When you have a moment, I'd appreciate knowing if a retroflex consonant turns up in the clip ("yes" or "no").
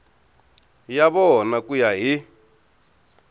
no